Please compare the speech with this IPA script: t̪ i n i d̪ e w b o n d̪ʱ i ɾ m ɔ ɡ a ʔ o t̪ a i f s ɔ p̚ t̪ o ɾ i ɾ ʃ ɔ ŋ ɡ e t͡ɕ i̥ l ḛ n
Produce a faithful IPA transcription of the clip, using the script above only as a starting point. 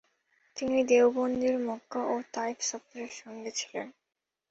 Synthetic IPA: t̪ i n i d̪ e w b o n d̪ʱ i ɾ m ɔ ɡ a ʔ o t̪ a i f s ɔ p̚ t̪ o ɾ e ɾ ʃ ɔ ŋ ɡ e t͡ɕʰ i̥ l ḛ n